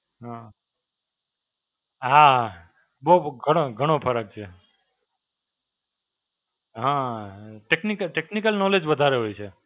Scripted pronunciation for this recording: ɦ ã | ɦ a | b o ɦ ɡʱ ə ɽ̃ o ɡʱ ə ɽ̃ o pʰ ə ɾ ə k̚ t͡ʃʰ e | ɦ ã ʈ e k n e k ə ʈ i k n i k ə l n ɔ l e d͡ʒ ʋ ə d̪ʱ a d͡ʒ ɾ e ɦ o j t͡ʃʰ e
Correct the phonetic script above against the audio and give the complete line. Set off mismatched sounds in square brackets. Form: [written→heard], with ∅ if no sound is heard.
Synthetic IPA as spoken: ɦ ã | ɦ a | b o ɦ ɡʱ ə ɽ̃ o ɡʱ ə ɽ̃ o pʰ ə ɾ ə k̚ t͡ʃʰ e | ɦ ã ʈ e k n [e→i] k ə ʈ [i→e] k n i k ə l n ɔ l e d͡ʒ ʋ ə d̪ʱ a [d͡ʒ→∅] ɾ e ɦ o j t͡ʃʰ e